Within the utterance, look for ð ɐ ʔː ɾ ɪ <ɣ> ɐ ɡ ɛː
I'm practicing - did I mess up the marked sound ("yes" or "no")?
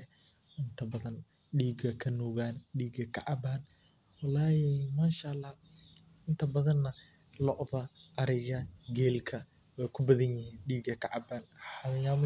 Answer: no